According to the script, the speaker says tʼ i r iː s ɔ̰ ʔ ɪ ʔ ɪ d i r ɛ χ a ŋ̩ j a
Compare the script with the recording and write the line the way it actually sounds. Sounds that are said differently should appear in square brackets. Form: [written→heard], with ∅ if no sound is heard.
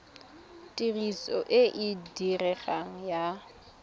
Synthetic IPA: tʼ i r [iː→i] s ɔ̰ ʔ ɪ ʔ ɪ d i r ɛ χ a ŋ̩ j a